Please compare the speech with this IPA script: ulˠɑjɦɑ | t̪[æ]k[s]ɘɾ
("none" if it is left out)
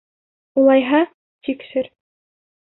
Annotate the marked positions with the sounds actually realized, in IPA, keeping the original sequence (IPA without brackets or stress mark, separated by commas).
i, ʃ